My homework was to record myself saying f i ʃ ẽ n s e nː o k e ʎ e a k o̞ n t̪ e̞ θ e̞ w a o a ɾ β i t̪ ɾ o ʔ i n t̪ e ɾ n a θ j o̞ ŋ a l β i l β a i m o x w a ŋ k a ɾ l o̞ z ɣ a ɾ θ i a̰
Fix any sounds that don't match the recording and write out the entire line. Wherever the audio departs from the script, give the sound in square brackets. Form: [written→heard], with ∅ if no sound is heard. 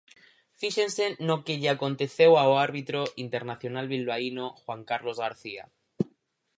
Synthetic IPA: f i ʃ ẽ n s e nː o k e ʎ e a k o̞ n t̪ e̞ θ e̞ w a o a ɾ β i t̪ ɾ o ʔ i n t̪ e ɾ n a θ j o̞ [ŋ→n] a l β i l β a i [m→n] o x w a ŋ k a ɾ l o̞ z ɣ a ɾ θ i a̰